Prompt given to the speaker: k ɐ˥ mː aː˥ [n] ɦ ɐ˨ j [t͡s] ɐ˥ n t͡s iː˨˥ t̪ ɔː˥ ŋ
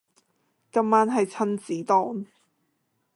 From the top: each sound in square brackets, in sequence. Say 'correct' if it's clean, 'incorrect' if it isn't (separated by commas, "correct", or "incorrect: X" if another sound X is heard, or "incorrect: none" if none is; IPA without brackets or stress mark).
correct, incorrect: t͡sʰ